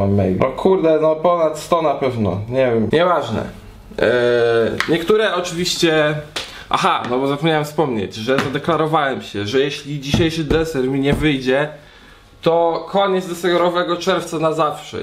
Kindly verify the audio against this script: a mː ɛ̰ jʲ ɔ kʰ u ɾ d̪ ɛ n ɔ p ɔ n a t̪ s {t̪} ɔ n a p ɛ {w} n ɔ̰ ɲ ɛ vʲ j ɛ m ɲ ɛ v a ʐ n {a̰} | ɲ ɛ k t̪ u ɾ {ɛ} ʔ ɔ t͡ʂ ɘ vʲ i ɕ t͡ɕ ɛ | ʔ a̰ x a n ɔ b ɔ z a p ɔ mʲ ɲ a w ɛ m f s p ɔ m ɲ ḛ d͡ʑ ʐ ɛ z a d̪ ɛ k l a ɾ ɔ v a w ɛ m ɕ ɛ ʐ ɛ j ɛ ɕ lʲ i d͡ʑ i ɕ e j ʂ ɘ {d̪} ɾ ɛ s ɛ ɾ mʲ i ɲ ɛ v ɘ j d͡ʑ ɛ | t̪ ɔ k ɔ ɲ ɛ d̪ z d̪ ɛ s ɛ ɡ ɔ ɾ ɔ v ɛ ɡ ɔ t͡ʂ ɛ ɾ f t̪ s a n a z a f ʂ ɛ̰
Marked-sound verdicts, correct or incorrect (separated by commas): correct, incorrect, incorrect, correct, correct